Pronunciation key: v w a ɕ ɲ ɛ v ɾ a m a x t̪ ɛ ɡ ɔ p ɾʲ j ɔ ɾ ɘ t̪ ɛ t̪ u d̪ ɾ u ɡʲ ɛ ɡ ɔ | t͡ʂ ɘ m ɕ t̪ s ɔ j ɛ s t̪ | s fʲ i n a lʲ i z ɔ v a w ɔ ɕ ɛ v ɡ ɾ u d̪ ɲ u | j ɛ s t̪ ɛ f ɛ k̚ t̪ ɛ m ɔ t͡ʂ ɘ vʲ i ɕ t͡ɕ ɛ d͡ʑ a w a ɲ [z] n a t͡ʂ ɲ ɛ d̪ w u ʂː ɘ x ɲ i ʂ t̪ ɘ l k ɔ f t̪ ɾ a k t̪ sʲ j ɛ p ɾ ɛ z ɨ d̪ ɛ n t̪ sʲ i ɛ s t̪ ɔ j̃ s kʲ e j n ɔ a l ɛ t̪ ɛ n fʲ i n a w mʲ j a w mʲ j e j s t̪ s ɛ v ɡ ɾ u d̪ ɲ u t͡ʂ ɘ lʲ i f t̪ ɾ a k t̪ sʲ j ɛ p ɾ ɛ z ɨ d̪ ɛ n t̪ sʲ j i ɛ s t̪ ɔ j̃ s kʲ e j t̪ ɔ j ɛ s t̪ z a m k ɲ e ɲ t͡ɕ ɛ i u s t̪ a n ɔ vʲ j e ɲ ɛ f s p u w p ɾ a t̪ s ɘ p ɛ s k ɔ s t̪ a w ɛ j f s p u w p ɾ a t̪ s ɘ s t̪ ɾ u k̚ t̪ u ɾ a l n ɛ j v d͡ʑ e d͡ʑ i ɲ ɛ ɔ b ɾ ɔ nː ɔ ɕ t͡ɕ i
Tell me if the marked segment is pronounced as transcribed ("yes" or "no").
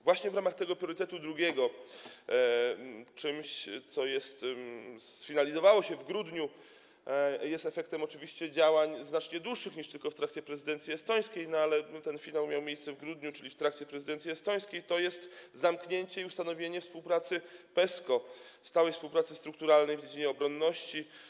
yes